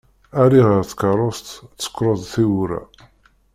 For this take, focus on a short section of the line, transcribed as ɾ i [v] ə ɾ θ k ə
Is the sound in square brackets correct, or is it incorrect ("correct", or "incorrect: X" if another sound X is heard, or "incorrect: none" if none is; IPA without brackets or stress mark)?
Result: incorrect: ʁ